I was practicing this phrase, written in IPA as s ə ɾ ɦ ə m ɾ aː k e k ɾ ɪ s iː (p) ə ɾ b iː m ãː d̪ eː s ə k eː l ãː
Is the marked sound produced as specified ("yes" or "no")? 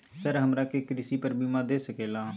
yes